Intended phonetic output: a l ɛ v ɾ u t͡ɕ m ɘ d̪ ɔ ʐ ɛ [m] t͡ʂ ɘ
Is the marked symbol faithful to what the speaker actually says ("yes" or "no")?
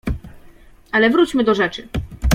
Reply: no